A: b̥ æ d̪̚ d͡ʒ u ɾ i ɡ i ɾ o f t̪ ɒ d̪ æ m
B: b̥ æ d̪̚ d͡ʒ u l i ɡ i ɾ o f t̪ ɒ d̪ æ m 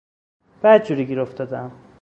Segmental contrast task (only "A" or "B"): A